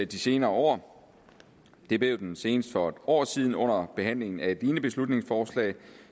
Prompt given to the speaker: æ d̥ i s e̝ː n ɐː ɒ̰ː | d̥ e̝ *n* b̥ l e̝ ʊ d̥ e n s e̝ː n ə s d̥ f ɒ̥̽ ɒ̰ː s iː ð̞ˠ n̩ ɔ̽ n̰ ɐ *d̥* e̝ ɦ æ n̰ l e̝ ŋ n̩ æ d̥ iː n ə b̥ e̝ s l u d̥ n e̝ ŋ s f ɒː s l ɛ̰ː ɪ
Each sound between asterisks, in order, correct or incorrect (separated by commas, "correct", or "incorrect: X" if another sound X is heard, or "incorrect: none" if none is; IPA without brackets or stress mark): incorrect: none, incorrect: b̥